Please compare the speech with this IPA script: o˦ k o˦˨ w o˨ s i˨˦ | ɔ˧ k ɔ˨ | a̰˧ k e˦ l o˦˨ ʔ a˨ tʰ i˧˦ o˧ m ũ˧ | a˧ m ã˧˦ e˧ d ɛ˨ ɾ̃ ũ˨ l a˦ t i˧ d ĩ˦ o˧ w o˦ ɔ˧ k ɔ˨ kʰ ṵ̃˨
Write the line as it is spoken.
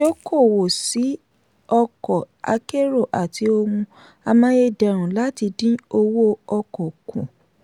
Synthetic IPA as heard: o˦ k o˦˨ w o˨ s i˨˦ | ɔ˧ k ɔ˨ | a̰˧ k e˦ ɾ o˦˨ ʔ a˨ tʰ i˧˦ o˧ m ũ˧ | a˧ m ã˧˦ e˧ d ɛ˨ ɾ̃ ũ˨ l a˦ t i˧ d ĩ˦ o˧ w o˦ ɔ˧ k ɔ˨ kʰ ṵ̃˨